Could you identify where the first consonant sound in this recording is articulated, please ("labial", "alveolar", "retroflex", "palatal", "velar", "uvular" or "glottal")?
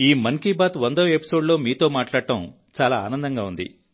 labial